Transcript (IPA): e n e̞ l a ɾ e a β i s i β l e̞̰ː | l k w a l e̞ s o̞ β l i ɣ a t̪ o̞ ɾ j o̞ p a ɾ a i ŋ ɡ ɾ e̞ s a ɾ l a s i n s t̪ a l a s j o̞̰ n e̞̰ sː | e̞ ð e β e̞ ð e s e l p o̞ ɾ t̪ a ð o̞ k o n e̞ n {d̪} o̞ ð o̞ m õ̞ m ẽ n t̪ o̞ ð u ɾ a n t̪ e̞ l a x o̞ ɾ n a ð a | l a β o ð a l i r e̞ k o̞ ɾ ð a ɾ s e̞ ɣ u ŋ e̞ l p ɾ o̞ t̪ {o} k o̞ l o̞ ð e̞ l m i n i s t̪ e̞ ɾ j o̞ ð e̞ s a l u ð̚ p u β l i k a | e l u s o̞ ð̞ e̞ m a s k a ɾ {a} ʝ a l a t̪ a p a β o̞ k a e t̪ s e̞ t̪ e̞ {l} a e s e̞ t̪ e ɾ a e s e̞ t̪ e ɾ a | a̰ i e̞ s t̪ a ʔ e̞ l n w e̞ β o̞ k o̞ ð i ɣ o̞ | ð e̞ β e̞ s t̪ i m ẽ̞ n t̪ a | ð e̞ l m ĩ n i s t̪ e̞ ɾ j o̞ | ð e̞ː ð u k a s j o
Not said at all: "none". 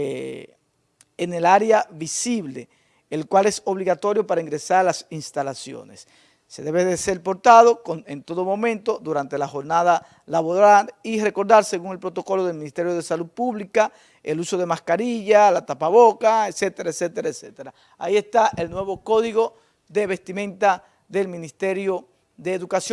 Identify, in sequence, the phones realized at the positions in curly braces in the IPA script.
t̪, o, i, ɾ

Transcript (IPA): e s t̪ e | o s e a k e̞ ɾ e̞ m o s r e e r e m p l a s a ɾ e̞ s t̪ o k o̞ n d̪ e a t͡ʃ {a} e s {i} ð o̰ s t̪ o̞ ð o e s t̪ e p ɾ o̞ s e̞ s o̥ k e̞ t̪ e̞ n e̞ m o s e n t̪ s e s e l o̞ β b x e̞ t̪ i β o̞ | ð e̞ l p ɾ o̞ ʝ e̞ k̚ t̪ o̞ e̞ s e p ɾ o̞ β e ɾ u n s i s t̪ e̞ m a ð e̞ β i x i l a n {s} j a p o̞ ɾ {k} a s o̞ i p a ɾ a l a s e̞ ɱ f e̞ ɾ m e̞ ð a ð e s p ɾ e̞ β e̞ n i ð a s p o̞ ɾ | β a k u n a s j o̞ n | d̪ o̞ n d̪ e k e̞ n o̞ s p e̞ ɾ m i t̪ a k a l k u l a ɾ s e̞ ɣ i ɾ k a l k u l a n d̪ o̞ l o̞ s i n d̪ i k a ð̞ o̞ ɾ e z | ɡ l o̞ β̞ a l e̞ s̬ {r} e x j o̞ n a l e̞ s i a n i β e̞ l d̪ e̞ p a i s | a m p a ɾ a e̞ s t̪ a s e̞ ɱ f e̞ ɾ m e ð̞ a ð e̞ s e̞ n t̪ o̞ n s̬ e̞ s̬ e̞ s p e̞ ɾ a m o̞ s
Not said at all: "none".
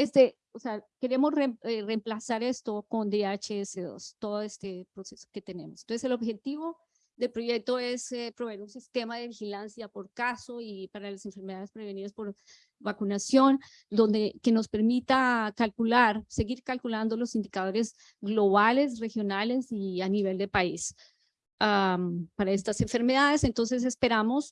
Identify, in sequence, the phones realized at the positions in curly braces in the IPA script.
e, e, s, k, r

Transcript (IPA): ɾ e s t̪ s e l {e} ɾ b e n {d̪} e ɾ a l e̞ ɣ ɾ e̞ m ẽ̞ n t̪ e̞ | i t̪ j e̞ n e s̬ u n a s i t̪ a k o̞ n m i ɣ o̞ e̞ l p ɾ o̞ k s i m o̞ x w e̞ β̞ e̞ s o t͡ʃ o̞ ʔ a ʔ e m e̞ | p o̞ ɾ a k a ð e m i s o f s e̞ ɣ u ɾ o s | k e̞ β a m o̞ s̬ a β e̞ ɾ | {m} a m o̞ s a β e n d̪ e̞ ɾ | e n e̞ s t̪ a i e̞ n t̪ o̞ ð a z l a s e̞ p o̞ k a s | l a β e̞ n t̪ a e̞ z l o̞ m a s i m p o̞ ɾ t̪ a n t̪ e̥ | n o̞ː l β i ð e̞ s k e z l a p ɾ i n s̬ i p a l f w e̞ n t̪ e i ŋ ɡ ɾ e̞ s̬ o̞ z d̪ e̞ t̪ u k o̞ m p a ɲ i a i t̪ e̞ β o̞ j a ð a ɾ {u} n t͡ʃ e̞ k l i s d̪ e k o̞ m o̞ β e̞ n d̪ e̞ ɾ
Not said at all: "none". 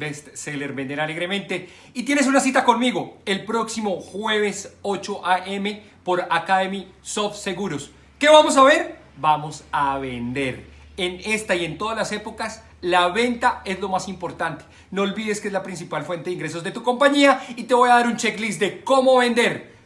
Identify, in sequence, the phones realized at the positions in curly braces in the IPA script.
e, d̪, b, u

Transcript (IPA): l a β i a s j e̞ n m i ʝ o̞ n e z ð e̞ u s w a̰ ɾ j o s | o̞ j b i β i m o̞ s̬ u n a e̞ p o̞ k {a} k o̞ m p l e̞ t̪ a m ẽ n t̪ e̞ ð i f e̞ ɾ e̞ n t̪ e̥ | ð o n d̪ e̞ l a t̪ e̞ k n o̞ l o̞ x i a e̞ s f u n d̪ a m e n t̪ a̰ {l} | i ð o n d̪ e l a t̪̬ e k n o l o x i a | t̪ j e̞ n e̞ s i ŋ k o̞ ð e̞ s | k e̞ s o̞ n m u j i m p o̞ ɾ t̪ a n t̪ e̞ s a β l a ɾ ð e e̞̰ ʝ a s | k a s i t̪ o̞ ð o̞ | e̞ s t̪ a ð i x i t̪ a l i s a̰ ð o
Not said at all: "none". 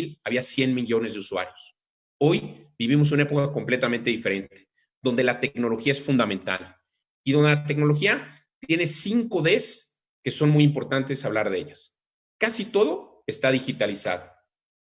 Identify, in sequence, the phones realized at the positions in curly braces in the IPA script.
a, l

